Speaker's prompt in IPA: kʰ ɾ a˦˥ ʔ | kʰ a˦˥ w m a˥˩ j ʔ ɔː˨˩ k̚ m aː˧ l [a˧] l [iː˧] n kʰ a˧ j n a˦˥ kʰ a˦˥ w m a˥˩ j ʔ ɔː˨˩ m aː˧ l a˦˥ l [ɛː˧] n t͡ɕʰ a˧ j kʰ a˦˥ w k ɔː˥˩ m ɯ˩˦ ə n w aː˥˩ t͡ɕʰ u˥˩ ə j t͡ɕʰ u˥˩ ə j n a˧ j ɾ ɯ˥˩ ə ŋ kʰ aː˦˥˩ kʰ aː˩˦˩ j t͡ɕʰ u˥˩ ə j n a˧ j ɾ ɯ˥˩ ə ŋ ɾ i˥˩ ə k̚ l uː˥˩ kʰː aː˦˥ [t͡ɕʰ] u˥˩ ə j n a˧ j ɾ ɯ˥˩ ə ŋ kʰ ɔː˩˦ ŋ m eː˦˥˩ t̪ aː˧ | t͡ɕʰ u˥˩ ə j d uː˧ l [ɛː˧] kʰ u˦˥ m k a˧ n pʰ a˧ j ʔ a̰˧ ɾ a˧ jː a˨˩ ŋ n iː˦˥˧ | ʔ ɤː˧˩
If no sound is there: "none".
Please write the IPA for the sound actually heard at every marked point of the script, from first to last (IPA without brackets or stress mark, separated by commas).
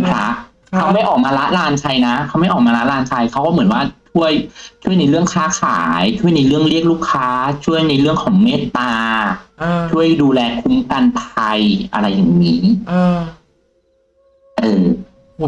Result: a˦˥, aː˧, aː˧, t͡ɕʰ, ɛː˧